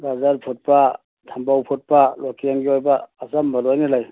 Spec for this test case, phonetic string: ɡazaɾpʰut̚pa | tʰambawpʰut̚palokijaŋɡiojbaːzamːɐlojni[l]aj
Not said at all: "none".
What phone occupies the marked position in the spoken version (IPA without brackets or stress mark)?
l